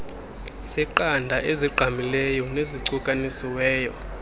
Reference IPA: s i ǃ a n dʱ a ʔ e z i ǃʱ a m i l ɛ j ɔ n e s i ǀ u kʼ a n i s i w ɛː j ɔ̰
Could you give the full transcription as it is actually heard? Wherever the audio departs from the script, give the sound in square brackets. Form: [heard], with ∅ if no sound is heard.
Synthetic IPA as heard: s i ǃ a n dʱ a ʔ e z i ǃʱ a m i l ɛ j ɔ n e [z] i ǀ u kʼ a n i s i w ɛː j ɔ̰